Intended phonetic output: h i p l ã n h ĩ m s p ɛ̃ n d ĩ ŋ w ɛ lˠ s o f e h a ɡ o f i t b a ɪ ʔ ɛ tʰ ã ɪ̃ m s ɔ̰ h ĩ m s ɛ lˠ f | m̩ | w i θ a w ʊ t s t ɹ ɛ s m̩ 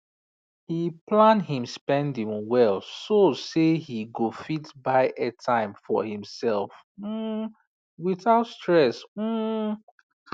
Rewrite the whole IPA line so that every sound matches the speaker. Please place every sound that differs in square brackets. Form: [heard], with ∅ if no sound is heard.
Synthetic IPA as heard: h i p l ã n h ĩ m s p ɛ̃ n d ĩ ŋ w ɛ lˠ s o [s] e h [i] ɡ o f i t b a ɪ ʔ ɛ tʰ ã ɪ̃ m [f] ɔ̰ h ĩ m s ɛ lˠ f | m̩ | w i θ a [∅] ʊ t s t ɹ ɛ s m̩